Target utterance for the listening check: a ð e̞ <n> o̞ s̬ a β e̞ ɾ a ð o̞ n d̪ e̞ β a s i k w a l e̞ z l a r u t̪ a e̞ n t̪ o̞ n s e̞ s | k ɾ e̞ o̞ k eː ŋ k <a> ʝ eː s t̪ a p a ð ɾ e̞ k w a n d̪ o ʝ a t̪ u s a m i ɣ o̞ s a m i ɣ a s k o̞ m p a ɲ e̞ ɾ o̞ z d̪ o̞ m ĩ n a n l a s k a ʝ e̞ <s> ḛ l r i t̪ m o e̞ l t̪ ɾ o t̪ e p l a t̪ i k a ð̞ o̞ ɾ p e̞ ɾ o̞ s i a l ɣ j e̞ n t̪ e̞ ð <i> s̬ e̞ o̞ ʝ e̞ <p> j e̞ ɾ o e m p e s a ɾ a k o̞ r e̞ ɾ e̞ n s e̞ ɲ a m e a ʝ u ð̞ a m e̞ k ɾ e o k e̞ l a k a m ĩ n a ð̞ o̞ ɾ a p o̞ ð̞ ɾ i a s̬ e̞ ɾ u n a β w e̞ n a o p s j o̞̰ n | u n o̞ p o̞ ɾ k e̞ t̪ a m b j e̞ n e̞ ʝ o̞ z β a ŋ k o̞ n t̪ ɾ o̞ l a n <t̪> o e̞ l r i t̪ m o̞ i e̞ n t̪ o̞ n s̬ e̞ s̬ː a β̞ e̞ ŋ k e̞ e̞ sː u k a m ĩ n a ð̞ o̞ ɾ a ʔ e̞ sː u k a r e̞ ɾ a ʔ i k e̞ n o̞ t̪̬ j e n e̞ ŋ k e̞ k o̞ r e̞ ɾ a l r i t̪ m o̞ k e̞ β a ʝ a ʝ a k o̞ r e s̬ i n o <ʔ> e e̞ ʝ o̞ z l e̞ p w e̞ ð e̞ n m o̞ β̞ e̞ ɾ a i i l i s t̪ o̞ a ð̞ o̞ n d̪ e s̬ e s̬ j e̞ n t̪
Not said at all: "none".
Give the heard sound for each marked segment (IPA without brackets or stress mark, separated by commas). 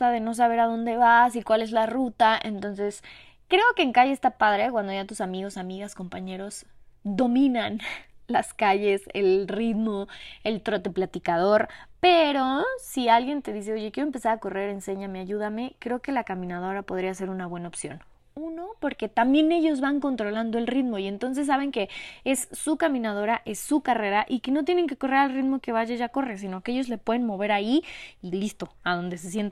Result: n, a, s, i, k, d̪, k